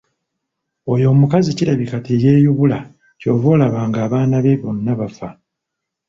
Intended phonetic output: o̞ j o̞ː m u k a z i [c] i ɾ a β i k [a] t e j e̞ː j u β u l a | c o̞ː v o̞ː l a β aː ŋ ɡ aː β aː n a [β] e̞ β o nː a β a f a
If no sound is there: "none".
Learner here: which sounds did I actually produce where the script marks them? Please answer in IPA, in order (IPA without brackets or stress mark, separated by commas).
c, a, β